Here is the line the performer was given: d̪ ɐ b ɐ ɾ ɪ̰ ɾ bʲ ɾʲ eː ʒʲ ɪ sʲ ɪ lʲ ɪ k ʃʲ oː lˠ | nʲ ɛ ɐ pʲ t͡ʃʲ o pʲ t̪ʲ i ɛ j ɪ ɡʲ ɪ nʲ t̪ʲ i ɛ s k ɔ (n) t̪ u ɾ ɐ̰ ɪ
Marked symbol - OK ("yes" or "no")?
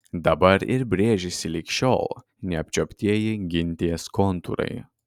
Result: yes